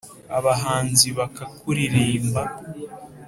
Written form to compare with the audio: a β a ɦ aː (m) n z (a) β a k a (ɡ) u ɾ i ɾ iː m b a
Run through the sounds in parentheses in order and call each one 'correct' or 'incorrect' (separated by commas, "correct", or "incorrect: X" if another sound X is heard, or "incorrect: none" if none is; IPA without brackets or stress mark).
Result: incorrect: none, incorrect: i, incorrect: k